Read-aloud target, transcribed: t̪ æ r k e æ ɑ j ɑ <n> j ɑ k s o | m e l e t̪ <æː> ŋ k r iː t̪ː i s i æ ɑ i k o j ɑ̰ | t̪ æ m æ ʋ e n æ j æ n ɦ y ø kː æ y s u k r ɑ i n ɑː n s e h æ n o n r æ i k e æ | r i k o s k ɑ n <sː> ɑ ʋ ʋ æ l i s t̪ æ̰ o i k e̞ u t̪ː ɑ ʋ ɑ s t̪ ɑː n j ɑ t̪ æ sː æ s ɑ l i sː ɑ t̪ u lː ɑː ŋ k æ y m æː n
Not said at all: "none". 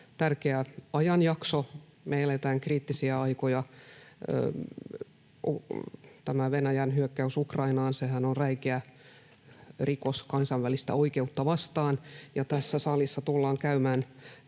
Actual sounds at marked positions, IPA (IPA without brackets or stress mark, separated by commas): n, æː, s